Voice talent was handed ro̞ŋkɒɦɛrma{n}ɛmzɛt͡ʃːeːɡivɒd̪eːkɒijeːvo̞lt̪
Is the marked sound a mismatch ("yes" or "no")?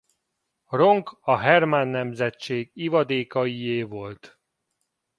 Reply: yes